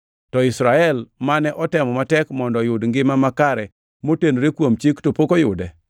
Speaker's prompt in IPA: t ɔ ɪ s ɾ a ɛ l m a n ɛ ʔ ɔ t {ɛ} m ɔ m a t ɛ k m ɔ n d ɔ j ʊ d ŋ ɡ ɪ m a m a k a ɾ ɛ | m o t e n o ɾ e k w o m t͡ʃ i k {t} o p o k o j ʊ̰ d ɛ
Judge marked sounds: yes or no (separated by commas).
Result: yes, yes